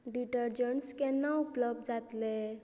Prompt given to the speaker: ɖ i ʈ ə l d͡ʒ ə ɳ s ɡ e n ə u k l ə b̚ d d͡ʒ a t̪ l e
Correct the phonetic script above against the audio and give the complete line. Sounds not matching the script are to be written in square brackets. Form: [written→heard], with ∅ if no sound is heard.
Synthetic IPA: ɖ i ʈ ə [l→ɾ] d͡ʒ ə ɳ s [ɡ→k] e n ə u [k→p] l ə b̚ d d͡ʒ a t̪ l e